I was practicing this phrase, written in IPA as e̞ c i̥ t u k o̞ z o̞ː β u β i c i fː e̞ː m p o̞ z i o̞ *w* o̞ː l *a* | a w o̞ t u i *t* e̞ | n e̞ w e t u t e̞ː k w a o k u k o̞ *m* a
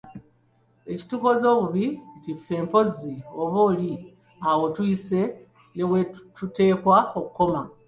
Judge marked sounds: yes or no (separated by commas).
no, no, no, yes